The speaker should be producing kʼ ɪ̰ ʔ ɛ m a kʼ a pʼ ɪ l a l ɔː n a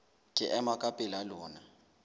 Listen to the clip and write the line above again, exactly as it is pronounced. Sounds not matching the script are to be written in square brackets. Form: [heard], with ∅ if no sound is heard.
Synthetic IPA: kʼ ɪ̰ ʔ ɛ m a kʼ a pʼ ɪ l a l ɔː n a

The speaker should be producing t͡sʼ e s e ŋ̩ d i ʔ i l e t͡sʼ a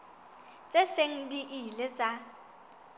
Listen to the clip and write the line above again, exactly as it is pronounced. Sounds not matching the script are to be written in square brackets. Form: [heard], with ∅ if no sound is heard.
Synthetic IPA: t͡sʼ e s e ŋ̩ d i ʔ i l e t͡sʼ a

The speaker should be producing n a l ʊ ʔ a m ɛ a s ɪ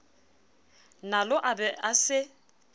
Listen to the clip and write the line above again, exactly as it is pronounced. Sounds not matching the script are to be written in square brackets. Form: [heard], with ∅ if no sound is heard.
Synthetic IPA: n a l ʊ ʔ a [b] ɛ a s ɪ

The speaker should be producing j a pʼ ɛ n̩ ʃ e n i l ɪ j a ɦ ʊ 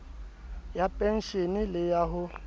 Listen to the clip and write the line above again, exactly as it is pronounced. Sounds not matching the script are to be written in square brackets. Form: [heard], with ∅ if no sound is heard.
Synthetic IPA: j a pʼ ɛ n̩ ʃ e n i l ɪ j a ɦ ʊ

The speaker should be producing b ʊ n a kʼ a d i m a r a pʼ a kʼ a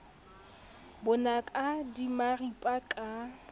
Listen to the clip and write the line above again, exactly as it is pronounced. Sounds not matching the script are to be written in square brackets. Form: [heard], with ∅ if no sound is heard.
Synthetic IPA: b ʊ n a kʼ a d i m a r [i] pʼ a kʼ a

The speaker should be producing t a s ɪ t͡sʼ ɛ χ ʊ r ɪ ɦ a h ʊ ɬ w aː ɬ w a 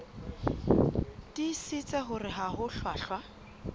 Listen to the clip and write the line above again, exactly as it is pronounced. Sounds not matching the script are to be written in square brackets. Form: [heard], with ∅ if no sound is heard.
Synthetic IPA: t [i] s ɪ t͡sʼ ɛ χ ʊ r ɪ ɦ a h ʊ ɬ w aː ɬ w a

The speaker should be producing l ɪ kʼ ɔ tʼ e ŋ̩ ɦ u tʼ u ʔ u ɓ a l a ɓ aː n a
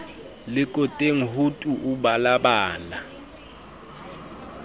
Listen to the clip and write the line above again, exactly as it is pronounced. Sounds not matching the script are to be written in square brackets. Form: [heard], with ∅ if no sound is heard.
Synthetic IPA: l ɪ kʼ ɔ tʼ e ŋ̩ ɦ u tʼ u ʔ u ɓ a l a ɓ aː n a

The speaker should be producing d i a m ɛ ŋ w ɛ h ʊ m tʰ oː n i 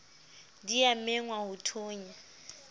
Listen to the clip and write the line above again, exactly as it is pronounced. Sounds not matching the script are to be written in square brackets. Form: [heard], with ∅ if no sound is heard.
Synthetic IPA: d i a m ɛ ŋ w [a] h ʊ [∅] tʰ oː [ɲ] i

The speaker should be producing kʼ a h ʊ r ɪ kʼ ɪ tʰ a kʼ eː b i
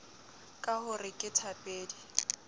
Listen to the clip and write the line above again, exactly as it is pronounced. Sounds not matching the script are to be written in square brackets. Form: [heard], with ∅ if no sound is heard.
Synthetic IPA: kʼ a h ʊ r ɪ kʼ ɪ tʰ a [pʼ] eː [d] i

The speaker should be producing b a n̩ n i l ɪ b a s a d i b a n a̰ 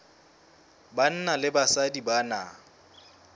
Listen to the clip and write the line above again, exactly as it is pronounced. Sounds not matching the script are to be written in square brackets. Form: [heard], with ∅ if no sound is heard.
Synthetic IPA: b a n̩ n [a] l ɪ b a s a d i b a n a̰

